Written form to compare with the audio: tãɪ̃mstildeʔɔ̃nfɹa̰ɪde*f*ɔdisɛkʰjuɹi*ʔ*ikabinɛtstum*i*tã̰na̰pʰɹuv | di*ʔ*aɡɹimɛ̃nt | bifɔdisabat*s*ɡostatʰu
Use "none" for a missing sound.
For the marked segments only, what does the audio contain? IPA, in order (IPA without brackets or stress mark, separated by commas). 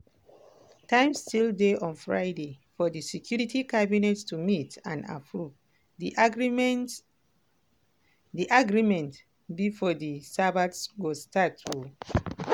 f, t, i, ʔ, s